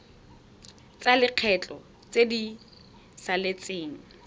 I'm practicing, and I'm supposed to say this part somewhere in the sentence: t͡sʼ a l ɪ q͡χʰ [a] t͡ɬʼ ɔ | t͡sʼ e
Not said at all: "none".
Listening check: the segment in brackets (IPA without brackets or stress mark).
ɛ